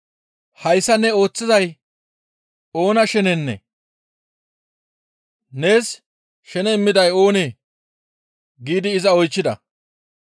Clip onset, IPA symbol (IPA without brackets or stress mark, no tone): h